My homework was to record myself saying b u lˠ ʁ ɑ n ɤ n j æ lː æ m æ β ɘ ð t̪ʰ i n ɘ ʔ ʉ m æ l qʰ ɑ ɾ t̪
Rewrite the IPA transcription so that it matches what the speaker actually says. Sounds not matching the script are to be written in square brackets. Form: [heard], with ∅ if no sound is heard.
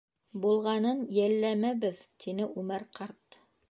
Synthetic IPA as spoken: b u lˠ ʁ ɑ n ɤ n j æ lː æ m æ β ɘ ð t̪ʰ i n ɘ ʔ ʉ m æ [ɾ] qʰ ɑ ɾ t̪